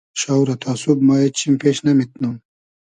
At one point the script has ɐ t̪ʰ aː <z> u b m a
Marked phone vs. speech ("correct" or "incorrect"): incorrect